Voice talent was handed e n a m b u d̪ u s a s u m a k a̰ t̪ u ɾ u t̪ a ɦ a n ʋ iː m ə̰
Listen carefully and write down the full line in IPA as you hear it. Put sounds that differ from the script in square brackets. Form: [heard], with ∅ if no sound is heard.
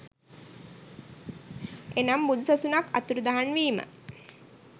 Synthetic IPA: e n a m b u d̪ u s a s u [n] a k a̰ t̪ u ɾ u [d̪] a ɦ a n ʋ iː m ə̰